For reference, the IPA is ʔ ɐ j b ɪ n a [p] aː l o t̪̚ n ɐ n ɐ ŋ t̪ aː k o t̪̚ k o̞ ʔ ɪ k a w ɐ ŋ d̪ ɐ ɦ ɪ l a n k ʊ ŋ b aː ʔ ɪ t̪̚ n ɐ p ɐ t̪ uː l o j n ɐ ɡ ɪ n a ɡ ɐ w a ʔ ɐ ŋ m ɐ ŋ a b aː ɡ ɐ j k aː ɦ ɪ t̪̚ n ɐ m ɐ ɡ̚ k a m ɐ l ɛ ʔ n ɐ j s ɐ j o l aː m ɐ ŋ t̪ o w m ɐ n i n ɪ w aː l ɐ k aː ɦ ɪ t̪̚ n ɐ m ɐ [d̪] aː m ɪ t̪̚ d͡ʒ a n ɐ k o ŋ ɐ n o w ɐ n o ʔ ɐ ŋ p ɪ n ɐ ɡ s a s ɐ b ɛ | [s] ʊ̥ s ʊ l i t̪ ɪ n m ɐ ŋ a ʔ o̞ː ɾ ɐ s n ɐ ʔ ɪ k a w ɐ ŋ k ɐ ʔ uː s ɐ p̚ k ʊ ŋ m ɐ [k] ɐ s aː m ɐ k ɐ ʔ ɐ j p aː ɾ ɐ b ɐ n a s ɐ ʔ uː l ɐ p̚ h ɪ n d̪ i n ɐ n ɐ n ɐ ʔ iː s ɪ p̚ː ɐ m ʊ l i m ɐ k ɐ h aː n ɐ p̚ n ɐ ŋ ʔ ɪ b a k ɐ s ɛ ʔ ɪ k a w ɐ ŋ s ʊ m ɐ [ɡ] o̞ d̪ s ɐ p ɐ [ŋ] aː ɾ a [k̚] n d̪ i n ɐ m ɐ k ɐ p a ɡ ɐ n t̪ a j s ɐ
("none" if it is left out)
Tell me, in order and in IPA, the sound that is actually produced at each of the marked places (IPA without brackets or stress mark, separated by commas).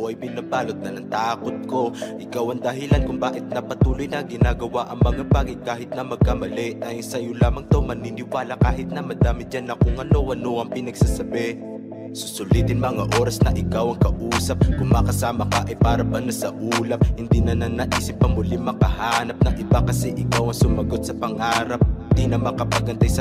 b, d̪, s, k, ɡ, ŋ, p̚